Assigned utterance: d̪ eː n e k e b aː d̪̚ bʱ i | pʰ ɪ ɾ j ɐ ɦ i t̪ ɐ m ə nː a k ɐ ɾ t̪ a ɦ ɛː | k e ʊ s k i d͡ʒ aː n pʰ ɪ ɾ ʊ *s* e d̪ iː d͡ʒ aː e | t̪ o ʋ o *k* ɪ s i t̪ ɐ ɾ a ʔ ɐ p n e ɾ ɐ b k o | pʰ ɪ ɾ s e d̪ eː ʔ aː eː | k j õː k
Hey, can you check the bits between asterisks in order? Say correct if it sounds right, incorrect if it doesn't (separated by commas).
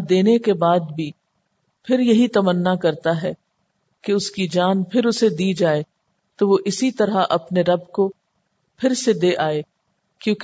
correct, incorrect